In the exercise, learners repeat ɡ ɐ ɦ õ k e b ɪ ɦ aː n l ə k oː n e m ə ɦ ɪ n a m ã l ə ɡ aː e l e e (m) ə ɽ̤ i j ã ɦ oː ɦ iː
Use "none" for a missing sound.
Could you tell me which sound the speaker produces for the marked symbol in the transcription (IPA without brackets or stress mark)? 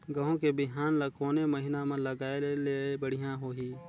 b